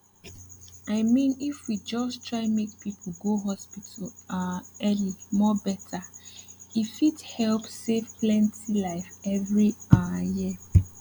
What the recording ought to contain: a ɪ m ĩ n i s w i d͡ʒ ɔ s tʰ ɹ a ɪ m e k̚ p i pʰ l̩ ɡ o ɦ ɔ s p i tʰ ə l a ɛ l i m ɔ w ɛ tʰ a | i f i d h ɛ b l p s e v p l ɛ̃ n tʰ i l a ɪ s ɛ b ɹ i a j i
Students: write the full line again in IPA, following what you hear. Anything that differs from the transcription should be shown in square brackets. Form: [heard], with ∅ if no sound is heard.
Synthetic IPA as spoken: a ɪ m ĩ n i [f] w i d͡ʒ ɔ s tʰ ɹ a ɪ m e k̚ p i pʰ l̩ ɡ o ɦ ɔ s p i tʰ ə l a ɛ l i m ɔ [b] ɛ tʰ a | i f i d h ɛ [∅] l p s e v p l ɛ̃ n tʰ i l a ɪ [f] ɛ [v] ɹ i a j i